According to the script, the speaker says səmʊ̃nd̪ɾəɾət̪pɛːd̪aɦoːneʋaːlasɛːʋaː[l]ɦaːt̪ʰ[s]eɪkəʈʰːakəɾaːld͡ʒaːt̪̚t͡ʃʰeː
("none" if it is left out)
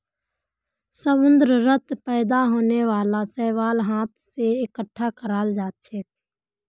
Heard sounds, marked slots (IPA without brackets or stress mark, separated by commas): l, s